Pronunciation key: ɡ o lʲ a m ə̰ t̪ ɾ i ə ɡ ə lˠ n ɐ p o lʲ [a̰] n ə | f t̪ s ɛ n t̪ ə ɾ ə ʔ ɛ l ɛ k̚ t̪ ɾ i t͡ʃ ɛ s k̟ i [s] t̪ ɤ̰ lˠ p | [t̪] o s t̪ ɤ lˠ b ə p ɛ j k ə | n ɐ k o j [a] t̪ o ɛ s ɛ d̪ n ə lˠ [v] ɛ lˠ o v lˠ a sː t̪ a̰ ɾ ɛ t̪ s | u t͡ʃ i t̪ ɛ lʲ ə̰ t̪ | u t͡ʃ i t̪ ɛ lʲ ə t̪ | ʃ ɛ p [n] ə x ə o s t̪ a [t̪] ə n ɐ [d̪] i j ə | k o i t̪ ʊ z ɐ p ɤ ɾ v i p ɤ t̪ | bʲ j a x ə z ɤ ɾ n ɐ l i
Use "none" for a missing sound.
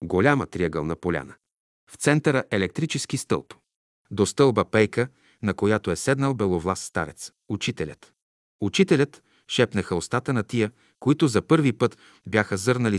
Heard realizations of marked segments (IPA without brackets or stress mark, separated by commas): a̰, s, d̪, a, b, n, t̪, t̪